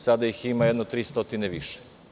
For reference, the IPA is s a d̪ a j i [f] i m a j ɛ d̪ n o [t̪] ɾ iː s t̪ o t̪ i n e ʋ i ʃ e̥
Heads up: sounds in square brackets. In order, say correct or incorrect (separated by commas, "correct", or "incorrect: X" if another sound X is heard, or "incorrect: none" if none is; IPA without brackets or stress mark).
incorrect: x, correct